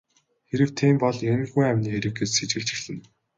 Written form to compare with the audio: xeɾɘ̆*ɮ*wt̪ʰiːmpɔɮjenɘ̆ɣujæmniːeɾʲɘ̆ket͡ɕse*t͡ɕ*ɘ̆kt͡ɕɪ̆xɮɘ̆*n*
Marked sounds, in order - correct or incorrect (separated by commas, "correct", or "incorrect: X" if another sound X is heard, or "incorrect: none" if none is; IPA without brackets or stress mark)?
incorrect: none, correct, correct